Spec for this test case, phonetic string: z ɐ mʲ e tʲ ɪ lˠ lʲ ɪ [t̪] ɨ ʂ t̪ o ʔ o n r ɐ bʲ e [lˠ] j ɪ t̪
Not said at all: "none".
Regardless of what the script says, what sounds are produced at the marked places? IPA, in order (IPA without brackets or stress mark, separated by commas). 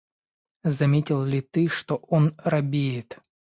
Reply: t̪, none